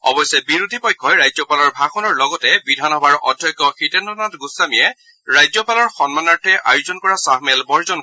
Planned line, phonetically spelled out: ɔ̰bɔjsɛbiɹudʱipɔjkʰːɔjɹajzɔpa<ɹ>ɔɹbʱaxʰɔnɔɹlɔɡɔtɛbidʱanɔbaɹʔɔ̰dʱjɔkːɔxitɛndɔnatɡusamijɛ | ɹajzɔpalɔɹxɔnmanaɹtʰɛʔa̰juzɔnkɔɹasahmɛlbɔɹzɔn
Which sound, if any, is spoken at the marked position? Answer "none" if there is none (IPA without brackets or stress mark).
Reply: l